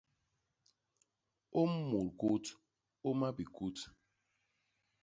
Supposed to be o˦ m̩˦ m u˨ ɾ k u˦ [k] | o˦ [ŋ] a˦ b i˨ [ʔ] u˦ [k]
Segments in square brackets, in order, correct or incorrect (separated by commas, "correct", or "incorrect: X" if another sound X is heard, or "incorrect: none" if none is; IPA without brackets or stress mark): incorrect: t, incorrect: m, incorrect: k, incorrect: t